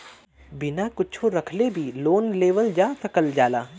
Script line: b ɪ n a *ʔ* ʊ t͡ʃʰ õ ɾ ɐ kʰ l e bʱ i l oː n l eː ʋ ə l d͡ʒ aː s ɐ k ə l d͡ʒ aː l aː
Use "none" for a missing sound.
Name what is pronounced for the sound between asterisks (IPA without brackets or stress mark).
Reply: k